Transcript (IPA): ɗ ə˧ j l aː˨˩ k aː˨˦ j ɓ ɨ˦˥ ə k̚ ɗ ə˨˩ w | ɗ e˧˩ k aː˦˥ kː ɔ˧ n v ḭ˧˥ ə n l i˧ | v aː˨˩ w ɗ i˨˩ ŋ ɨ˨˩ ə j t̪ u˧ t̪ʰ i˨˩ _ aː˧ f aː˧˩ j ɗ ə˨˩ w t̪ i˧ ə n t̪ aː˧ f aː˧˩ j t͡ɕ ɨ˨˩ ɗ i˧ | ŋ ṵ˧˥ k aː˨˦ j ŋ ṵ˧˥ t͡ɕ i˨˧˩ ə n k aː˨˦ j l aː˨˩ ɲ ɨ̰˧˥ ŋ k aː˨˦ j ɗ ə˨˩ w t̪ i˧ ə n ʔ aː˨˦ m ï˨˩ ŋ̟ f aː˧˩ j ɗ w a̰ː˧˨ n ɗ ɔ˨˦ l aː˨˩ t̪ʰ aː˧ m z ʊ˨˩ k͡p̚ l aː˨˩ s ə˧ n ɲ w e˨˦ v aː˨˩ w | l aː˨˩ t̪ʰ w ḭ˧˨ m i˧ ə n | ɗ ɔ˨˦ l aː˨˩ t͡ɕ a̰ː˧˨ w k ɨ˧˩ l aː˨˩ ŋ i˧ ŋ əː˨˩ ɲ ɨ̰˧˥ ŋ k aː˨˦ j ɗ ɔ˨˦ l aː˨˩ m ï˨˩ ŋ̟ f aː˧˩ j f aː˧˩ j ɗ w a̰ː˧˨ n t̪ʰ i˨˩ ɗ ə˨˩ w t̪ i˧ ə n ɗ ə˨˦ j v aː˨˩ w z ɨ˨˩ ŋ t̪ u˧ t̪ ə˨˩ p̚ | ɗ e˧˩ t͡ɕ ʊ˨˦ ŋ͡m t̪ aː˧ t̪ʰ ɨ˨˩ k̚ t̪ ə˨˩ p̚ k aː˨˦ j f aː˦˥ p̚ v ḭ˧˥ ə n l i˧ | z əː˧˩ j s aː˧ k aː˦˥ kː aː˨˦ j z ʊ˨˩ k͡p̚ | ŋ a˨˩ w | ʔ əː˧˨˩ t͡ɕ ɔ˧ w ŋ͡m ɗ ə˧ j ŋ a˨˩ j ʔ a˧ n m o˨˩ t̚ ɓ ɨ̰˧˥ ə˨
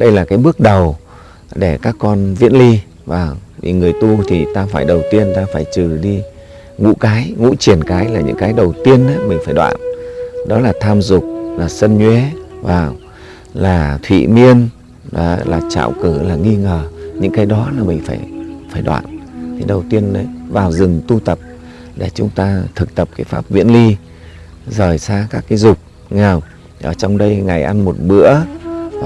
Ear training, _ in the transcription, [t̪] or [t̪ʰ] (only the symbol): t̪